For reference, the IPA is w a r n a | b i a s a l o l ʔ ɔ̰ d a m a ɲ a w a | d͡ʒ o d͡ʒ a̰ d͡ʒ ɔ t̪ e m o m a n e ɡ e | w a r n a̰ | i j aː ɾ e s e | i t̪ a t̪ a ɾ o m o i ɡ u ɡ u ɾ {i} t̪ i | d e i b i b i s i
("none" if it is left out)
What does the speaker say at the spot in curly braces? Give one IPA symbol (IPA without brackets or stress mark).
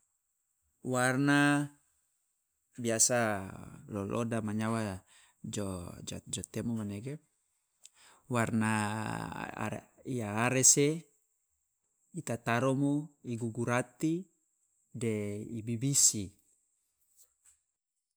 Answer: a